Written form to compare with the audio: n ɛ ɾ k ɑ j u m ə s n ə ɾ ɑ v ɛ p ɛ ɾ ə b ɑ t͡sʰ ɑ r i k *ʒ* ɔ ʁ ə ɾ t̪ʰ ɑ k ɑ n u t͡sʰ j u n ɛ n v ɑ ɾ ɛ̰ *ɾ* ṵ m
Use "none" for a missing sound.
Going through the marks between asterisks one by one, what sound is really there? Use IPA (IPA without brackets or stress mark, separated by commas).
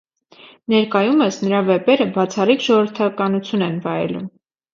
ʒ, l